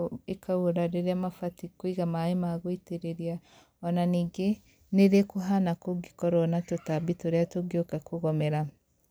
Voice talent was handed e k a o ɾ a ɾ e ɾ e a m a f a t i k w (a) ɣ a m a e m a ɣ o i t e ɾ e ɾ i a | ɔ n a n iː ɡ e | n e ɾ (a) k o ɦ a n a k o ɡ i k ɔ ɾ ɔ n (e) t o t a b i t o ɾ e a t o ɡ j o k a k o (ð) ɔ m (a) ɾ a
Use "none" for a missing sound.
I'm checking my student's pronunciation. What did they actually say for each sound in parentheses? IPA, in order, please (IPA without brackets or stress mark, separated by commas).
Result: i, e, a, ɣ, ɛ